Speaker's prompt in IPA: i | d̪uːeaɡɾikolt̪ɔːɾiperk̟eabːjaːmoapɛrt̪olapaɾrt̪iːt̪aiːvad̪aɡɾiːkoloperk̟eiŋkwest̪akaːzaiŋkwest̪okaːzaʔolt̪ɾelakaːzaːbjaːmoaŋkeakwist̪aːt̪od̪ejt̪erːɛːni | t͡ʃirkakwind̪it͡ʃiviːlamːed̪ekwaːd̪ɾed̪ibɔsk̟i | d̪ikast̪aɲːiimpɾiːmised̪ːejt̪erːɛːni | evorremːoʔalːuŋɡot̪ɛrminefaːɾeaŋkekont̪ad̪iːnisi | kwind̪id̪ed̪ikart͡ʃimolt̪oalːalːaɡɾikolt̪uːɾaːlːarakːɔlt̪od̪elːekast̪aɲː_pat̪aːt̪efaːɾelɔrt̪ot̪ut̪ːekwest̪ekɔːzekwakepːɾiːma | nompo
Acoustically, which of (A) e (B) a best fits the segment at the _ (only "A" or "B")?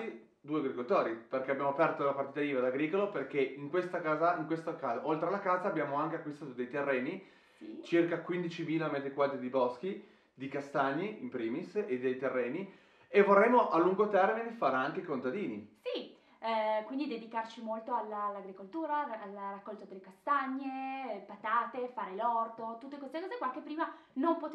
A